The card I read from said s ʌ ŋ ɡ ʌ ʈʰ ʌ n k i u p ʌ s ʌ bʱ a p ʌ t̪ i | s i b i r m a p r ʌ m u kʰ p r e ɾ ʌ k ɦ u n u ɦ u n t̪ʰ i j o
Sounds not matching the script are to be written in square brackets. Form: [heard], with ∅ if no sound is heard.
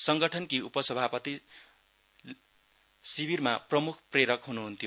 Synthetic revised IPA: s ʌ ŋ ɡ ʌ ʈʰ ʌ n k i u p ʌ s ʌ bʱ a p ʌ t̪ i | s i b i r m a p r ʌ m u kʰ p r e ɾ ʌ k ɦ u n u ɦ u n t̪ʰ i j o